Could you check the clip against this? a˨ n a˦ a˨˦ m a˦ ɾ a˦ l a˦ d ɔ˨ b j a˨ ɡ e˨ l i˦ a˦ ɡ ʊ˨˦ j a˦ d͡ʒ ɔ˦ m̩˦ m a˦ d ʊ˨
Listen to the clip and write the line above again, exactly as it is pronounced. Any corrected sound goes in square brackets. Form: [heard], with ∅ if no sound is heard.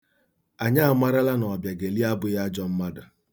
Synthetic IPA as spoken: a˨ [ɲ] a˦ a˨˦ m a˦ ɾ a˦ l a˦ [n] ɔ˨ b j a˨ ɡ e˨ l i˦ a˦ [b] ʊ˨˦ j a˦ d͡ʒ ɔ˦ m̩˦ m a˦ d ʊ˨